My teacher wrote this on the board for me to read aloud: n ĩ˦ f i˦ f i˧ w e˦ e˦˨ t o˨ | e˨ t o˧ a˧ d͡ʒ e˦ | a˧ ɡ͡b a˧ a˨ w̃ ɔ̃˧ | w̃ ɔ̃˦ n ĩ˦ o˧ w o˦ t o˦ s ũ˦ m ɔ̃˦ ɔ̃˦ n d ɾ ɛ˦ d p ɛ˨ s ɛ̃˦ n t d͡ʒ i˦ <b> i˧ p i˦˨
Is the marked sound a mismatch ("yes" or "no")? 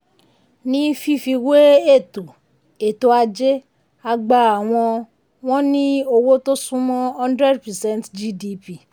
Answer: yes